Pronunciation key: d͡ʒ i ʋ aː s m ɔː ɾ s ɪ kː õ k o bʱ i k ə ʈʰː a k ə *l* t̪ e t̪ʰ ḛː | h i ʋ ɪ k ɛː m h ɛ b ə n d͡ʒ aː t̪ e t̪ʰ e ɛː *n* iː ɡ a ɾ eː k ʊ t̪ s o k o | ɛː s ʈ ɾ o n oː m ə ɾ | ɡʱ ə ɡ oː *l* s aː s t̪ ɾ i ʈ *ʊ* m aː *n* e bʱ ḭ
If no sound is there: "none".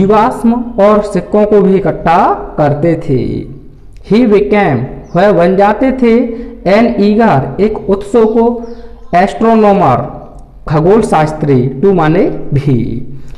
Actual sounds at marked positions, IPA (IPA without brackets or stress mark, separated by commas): ɾ, n, l, u, n